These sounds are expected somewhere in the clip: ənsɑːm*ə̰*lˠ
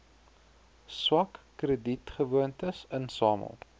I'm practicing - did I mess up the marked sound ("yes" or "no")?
no